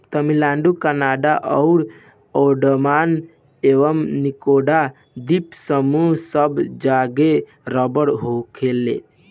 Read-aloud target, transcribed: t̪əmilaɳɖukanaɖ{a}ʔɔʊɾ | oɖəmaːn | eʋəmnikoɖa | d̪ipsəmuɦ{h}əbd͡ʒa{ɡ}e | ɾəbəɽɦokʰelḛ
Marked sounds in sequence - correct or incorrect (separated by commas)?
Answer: correct, incorrect, correct